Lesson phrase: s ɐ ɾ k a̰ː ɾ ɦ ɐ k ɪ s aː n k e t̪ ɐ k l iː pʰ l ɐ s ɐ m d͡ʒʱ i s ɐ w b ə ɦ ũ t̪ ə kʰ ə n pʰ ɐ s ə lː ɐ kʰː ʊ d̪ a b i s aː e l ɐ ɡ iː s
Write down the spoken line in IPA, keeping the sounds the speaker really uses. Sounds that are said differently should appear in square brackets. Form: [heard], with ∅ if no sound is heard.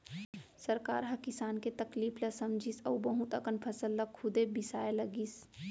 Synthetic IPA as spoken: s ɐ ɾ k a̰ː ɾ ɦ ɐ k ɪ s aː n k e t̪ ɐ k l iː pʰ l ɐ s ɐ m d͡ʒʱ i s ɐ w b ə ɦ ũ t̪ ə [k] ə n pʰ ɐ s ə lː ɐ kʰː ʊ d̪ [e] b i s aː e l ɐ ɡ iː s